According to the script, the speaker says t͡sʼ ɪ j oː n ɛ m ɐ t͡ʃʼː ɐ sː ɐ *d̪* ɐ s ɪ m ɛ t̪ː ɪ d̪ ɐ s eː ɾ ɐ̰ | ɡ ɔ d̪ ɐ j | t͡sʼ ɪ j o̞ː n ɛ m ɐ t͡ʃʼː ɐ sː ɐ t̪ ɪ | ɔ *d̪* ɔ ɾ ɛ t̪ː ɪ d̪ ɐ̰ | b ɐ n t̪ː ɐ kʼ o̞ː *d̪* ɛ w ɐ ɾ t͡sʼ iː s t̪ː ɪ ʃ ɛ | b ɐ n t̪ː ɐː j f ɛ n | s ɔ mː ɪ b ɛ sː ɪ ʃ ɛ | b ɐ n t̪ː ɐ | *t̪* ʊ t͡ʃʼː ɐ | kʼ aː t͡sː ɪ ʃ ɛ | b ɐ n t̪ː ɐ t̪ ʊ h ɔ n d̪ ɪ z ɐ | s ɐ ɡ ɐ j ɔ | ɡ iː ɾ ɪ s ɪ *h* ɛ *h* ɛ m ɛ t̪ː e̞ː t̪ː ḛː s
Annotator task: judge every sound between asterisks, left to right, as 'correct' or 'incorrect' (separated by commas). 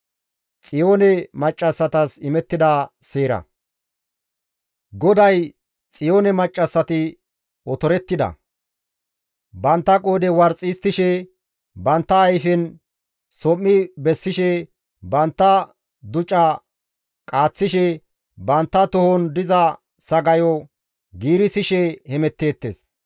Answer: incorrect, incorrect, correct, incorrect, incorrect, correct